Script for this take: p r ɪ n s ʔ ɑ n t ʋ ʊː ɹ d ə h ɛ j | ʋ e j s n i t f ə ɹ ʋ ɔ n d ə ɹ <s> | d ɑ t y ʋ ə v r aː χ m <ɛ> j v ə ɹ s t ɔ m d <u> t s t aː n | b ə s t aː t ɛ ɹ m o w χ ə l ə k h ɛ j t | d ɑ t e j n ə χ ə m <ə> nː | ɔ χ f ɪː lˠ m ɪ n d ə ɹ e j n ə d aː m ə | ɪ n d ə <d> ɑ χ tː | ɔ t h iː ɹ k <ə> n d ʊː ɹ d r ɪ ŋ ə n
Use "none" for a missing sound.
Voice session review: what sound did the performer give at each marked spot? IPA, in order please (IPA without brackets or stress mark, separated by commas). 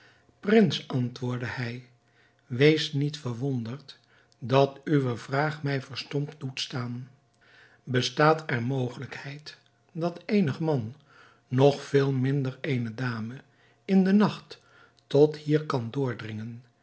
t, ɛ, u, ɑ, n, ɑ